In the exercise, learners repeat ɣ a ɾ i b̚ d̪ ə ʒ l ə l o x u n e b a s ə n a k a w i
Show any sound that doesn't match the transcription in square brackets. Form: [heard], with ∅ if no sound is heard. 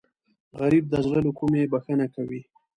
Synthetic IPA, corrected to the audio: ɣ a ɾ i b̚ d̪ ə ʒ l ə l o [k] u [m] e b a [x] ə n a k a w i